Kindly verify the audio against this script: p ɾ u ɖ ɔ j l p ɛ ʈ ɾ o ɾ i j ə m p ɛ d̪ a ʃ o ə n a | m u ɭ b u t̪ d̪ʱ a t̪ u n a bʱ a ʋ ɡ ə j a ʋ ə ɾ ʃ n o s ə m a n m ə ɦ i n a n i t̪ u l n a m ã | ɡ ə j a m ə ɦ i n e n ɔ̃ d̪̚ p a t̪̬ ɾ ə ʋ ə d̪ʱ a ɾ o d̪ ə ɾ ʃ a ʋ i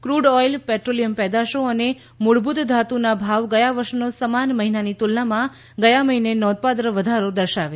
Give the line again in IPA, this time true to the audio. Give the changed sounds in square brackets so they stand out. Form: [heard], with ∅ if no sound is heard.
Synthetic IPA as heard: [k] ɾ u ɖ ɔ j l p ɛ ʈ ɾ o [l] i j ə m p ɛ d̪ a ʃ o ə n [e] | m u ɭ b u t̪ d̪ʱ a t̪ u n a bʱ a ʋ ɡ ə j a ʋ ə ɾ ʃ n o s ə m a n m ə ɦ i n a n i t̪ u l n a m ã | ɡ ə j a m ə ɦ i n e n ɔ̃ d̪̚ p a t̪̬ ɾ ə ʋ ə d̪ʱ a ɾ o d̪ ə ɾ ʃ a ʋ [e]